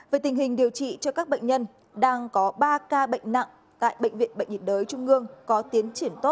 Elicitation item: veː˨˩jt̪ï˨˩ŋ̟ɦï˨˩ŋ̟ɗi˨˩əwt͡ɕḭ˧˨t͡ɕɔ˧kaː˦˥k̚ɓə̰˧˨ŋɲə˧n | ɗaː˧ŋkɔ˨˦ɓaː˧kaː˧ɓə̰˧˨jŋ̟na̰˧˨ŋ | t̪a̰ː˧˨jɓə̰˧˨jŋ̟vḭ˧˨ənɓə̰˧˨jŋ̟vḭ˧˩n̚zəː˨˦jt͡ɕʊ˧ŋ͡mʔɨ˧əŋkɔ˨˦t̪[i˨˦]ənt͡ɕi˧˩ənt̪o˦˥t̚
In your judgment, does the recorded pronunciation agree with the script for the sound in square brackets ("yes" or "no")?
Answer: yes